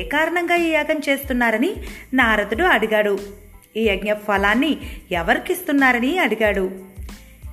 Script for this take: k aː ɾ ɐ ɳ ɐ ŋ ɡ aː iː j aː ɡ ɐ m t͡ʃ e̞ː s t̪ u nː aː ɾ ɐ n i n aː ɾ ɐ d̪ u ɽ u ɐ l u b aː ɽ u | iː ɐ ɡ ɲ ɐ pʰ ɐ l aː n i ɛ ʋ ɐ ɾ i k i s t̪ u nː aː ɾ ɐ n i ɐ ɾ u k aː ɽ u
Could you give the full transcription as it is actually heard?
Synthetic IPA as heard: k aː ɾ ɐ ɳ ɐ ŋ ɡ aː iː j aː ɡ ɐ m t͡ʃ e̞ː s t̪ u nː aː ɾ ɐ n i n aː ɾ ɐ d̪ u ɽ u ɐ ɽ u ɡ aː ɽ u | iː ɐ ɡ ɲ ɐ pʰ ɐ l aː nː i ɛ ʋ ɐ ɾ i k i s t̪ u nː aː ɾ ɐ n i ɐ ɽ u ɡ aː ɽ u